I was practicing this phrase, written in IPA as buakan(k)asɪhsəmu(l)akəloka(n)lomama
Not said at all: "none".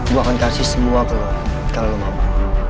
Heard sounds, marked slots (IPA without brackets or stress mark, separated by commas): k, none, none